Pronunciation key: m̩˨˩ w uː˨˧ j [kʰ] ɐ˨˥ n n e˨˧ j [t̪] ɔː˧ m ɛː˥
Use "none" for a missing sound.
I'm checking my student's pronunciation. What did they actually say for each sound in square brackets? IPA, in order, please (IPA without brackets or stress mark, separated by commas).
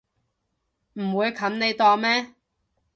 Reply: kʰ, t̪